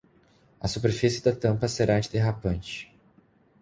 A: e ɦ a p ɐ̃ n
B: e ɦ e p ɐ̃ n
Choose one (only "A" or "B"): A